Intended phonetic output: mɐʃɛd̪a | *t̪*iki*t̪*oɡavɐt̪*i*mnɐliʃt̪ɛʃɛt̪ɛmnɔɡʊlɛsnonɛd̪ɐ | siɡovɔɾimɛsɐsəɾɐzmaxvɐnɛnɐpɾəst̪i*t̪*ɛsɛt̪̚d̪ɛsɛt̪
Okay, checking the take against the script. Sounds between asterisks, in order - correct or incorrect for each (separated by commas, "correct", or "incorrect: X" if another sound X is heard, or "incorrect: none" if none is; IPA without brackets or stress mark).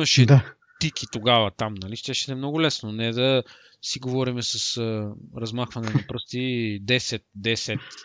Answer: correct, correct, incorrect: a, incorrect: d̪